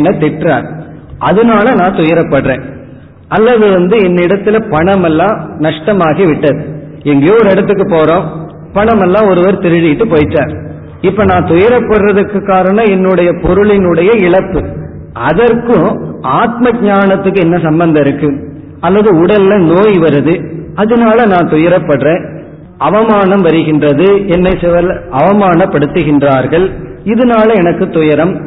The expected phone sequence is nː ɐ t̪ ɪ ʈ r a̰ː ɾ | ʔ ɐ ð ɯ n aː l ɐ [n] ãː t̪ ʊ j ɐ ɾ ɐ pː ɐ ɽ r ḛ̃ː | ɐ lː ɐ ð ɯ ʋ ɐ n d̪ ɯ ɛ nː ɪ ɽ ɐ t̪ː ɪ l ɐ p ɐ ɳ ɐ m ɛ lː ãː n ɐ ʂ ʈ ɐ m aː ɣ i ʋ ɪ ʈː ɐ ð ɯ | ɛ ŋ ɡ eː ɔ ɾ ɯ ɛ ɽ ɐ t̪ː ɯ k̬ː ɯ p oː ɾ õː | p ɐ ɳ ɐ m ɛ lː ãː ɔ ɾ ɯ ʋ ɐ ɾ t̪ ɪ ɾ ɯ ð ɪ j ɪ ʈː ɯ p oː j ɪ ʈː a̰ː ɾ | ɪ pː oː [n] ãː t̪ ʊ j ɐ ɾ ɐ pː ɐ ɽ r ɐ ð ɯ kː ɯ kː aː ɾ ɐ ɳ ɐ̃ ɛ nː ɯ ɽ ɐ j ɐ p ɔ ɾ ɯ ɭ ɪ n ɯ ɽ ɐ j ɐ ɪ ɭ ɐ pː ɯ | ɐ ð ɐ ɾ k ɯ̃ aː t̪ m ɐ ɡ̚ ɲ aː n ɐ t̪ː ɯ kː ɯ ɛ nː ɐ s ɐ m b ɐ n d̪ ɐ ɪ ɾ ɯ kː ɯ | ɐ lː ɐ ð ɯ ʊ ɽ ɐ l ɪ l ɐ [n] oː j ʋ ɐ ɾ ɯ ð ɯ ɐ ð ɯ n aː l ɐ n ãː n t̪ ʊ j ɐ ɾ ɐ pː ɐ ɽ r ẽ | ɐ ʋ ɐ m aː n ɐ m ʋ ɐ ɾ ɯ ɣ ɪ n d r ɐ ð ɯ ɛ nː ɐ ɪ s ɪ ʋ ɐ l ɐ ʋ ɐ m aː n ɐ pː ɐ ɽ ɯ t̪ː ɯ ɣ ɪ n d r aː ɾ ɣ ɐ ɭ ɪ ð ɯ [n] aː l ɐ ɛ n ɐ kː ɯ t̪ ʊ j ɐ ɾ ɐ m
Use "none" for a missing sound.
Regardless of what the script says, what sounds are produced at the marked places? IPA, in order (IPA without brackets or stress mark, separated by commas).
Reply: n, n, n, n